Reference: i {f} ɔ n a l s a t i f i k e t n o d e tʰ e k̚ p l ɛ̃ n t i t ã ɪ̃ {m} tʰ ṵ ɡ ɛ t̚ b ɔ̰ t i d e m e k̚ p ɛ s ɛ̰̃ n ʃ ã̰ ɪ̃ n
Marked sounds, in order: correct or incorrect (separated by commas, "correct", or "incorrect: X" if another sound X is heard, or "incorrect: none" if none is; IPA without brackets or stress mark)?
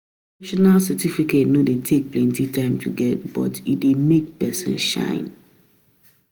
incorrect: ʃ, correct